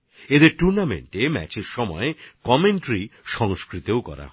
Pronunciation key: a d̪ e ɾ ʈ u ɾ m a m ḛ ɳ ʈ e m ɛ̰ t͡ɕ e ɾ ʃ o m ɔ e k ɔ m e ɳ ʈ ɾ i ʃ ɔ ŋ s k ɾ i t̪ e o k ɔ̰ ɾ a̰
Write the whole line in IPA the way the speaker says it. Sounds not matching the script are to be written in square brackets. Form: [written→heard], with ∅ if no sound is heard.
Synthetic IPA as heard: [a→e] d̪ e ɾ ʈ u ɾ [m→n] a m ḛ ɳ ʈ e m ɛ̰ t͡ɕ e ɾ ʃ [o→ɔ] m ɔ e k ɔ m e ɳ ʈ ɾ i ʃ ɔ ŋ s k ɾ i t̪ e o k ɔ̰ ɾ a̰